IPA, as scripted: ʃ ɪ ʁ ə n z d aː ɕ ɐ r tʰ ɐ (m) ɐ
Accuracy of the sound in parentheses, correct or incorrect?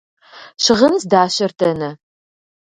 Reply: incorrect